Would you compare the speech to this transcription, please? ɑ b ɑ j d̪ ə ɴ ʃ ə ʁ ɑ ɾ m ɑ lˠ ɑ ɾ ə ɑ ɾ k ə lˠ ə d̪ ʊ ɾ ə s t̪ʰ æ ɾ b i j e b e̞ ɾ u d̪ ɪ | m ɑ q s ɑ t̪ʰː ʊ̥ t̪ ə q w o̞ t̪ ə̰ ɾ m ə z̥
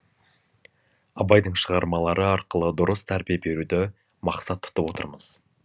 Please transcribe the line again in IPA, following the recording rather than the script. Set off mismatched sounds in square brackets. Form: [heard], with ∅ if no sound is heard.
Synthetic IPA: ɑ b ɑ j d̪ ə ɴ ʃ ə ʁ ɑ ɾ m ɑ lˠ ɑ ɾ ə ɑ ɾ [q] ə lˠ ə d̪ ʊ ɾ ə s t̪ʰ æ ɾ b i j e b e̞ ɾ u d̪ ɪ | m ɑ q s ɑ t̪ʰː ʊ̥ t̪ ə [p] w o̞ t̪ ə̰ ɾ m ə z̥